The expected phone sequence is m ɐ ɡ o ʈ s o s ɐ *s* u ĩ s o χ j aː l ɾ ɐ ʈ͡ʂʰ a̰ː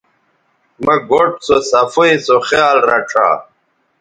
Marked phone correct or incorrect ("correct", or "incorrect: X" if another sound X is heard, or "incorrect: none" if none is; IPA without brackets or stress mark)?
incorrect: f